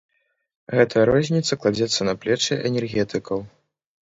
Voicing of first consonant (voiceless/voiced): voiced